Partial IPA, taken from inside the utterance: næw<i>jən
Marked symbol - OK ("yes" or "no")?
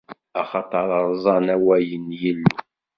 no